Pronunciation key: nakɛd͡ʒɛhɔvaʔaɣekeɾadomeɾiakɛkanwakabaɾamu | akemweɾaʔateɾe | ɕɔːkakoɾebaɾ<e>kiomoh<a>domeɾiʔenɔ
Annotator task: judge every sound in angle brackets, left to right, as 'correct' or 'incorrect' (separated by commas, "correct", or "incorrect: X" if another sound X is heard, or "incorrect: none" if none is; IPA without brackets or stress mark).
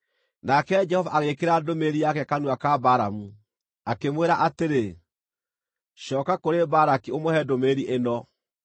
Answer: incorrect: a, incorrect: ɛ